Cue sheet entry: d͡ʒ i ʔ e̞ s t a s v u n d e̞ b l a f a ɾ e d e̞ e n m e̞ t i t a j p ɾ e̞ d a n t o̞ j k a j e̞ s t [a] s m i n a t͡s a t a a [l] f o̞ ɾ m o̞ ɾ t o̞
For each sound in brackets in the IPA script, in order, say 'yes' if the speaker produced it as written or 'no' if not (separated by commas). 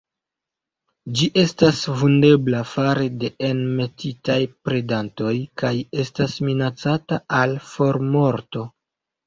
yes, yes